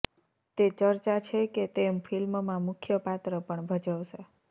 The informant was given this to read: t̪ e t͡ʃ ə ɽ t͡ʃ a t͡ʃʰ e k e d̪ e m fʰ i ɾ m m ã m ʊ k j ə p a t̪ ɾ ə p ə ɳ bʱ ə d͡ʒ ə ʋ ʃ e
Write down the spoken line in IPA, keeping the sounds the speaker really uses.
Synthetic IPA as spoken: t̪ e t͡ʃ ə ɾ t͡ʃ a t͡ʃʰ e k e t̪ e m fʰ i l m m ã m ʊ kʰ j ə p a t̪ ɾ ə p ə ɳ bʱ ə d͡ʒ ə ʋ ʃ e